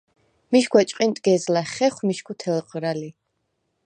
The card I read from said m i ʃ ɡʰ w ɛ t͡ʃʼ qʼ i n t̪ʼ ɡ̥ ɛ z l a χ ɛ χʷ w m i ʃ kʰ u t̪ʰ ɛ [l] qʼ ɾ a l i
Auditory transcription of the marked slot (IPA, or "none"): l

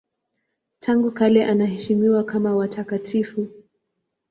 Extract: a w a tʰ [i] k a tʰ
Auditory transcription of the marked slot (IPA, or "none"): a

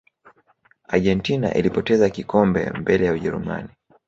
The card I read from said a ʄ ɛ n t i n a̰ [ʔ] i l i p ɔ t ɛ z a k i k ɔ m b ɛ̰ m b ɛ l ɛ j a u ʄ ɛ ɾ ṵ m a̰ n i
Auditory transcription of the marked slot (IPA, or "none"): ʔ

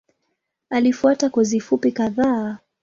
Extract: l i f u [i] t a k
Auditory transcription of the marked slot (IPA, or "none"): a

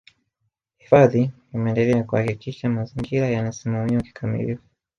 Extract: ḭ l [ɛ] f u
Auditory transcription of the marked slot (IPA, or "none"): i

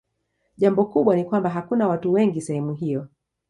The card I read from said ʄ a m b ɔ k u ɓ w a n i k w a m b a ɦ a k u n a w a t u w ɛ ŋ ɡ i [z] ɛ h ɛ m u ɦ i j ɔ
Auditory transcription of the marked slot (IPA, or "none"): s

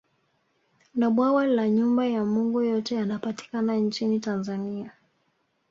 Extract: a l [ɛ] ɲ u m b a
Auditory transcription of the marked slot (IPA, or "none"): a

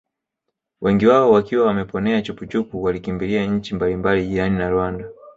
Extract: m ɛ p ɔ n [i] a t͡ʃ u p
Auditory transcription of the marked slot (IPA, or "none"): ɛ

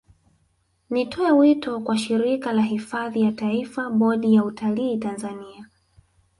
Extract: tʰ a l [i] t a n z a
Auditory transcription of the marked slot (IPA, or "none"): iː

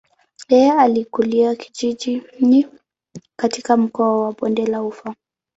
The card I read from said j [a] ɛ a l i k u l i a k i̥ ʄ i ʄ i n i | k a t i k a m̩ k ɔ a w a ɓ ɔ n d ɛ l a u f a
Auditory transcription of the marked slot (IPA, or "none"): ɛ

